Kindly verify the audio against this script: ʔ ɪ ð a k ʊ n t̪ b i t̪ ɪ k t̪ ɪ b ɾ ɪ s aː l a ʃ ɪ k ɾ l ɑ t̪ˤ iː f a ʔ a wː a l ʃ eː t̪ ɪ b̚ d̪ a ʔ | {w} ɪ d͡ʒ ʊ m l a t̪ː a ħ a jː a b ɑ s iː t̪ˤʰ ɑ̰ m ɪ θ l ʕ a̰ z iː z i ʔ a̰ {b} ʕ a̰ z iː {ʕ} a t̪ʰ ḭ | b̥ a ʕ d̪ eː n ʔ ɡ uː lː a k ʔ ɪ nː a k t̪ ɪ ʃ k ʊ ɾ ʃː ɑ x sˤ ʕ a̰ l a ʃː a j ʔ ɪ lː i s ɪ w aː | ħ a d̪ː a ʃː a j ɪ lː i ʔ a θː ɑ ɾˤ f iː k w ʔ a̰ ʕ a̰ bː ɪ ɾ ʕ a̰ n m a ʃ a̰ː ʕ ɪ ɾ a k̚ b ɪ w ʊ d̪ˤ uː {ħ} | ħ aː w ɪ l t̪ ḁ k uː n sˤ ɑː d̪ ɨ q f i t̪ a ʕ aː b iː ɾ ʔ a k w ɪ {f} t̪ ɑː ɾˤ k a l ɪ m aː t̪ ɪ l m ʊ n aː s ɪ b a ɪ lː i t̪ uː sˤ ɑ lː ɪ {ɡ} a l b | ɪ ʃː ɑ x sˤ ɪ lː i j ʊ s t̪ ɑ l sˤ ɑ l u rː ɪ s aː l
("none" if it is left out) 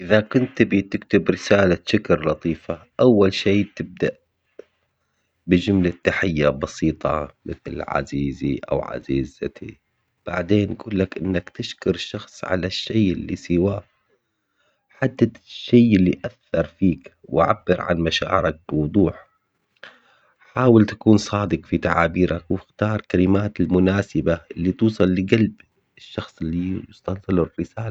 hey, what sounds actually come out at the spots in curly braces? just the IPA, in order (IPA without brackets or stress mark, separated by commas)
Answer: b, w, z, ħ, x, ɡ